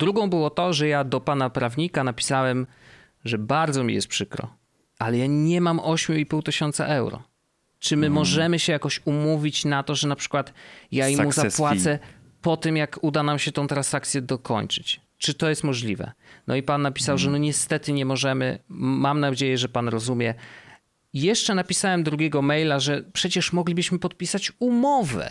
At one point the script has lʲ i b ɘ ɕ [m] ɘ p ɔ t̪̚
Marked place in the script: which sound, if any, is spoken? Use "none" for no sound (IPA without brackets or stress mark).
m